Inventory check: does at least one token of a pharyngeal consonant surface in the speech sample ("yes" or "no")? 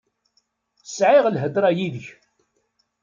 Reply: yes